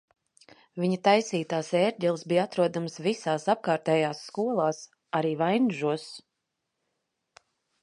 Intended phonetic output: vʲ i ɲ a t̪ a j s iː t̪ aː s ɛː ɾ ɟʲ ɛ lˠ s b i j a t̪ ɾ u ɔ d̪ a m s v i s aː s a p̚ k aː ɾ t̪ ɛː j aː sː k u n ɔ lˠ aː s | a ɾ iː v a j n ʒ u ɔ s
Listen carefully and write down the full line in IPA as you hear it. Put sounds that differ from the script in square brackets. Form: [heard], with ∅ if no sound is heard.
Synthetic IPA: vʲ i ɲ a t̪ a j s iː t̪ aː s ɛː ɾ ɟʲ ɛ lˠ s b i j a t̪ ɾ u ɔ d̪ a m s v i s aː s a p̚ k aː ɾ t̪ ɛː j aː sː k u [∅] ɔ lˠ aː s | a ɾ iː v a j n ʒ u ɔ s